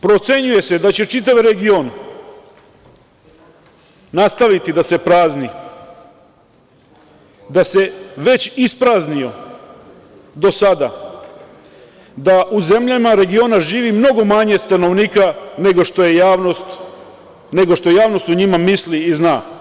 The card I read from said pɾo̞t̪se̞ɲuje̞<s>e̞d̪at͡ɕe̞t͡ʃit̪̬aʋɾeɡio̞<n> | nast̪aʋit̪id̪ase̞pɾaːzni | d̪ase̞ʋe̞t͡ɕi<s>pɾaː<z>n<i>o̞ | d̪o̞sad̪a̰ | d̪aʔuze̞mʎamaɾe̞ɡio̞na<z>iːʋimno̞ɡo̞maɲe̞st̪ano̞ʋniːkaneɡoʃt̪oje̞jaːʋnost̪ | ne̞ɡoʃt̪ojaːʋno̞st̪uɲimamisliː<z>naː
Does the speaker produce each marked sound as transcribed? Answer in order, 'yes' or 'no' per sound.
yes, yes, yes, yes, yes, no, yes

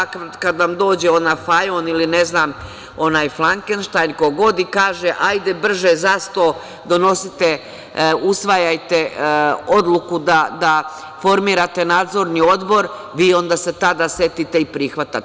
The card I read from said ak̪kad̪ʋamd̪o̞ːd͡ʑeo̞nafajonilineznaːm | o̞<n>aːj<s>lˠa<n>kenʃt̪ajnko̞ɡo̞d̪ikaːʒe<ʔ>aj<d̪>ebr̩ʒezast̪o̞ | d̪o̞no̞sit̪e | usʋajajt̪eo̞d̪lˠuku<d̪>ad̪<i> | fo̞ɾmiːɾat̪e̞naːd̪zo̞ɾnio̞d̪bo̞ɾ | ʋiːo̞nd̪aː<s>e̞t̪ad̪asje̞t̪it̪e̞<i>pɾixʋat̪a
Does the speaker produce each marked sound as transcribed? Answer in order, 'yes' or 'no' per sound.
yes, no, no, yes, yes, yes, no, yes, yes

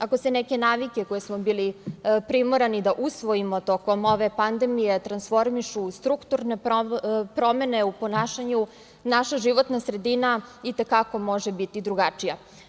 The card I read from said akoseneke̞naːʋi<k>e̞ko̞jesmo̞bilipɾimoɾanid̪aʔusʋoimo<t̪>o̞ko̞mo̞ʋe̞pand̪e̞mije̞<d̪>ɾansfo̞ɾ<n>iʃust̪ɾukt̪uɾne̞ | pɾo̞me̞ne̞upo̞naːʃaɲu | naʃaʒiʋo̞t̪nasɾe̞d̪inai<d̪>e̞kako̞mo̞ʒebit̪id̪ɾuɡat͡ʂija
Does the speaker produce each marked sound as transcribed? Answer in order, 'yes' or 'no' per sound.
yes, yes, no, no, no

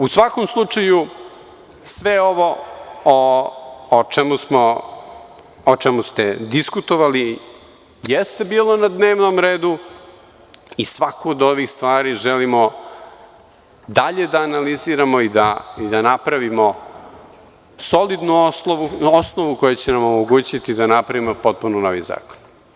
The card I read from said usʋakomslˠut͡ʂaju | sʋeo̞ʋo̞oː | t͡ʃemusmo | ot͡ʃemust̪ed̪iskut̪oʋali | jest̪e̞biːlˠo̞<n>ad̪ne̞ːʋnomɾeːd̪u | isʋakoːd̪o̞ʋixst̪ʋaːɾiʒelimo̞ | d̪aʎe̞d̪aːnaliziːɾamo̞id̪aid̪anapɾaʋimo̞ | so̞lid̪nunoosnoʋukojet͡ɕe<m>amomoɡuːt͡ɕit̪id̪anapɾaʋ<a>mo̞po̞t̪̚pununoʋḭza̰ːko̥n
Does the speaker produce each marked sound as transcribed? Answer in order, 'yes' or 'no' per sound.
yes, no, no

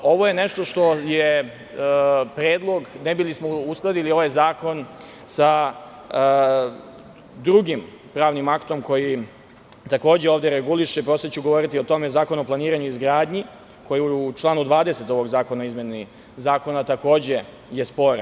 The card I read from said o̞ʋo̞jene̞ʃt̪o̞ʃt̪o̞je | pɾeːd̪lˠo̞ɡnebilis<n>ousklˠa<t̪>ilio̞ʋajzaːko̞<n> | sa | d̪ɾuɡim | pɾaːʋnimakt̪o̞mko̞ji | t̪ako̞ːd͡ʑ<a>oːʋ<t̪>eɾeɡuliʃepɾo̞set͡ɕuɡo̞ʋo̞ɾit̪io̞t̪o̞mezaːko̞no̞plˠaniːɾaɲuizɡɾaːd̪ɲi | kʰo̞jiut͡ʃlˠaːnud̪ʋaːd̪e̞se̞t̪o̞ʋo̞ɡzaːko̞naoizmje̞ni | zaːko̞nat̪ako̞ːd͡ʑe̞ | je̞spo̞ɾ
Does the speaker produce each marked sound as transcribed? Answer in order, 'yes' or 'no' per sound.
no, no, yes, no, no

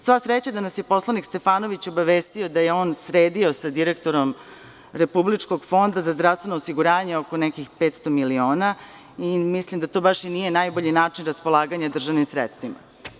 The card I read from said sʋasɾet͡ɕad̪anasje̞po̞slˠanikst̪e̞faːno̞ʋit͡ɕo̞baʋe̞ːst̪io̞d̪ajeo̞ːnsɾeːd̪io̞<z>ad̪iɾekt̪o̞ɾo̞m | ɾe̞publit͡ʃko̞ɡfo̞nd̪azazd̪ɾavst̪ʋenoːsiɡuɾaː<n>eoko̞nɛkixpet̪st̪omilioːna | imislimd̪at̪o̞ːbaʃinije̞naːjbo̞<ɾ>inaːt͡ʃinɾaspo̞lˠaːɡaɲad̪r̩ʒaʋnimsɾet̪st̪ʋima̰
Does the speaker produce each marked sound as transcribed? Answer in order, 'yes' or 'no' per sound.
no, no, no

